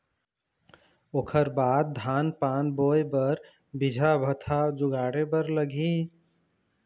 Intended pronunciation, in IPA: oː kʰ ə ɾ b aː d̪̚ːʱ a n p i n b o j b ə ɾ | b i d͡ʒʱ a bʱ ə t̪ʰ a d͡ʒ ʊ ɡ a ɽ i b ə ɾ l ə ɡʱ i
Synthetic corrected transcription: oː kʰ ə ɾ b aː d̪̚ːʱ a n p a n b o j b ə ɾ | b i d͡ʒʱ a bʱ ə t̪ʰ a d͡ʒ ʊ ɡ a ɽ e b ə ɾ l ə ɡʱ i